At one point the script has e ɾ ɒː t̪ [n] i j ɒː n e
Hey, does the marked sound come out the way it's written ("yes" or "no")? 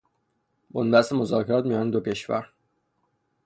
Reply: no